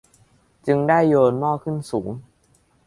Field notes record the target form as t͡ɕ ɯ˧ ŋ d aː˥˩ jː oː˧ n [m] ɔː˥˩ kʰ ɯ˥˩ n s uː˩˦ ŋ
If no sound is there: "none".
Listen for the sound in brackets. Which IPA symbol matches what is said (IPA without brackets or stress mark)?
m